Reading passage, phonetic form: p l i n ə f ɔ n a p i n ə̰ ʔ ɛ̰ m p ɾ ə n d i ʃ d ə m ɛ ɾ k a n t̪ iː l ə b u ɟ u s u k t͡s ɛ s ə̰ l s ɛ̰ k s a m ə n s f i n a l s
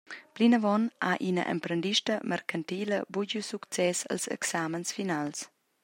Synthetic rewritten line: p l i n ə v ɔ n a ʔ i n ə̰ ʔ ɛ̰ m p ɾ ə n d i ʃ t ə m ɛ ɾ k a n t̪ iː l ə b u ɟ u s u k t͡s ɛ s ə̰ l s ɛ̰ k s a m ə n s f i n a l s

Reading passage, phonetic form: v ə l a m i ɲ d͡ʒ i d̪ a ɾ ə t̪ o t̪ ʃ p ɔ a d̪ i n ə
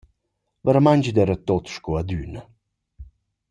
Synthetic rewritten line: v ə ɾ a m a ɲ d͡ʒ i d̪ ɛ ɾ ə t̪ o t̪ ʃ k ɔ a d̪ y n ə

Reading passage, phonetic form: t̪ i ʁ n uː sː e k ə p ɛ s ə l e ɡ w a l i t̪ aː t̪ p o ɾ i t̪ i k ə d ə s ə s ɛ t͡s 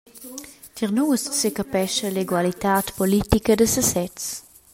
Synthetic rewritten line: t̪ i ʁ n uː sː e k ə p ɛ ʃ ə l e ɡ w a l i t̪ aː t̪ p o l i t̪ i k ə d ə s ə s ɛ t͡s

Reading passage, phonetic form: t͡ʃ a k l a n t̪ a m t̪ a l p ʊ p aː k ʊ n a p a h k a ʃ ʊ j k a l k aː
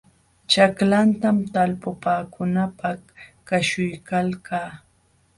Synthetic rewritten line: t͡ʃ a k l a n t̪ a m t̪ a l p ʊ p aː k ʊ n a p a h k a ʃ ʊ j k a l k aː

